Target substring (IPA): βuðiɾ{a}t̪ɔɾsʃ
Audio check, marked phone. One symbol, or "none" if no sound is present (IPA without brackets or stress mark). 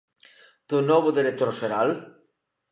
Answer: e